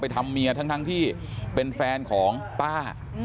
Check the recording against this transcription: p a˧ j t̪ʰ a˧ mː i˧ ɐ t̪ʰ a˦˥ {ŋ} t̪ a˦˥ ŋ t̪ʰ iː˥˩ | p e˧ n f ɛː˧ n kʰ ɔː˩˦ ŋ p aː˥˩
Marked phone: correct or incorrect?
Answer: correct